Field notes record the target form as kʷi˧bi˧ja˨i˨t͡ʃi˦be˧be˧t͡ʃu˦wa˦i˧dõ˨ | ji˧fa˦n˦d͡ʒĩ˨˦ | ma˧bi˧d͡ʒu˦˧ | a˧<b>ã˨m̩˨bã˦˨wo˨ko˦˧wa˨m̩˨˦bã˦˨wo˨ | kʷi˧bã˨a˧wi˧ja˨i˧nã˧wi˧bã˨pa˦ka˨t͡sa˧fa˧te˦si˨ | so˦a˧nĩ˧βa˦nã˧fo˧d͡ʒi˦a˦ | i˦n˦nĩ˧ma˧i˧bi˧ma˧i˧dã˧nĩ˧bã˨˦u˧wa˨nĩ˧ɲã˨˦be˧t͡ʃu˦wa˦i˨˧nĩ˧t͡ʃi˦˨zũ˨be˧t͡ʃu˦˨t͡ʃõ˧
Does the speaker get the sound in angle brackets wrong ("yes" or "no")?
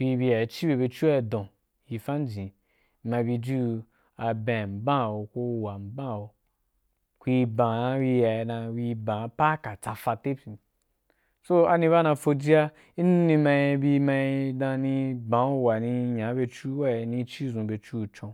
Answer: no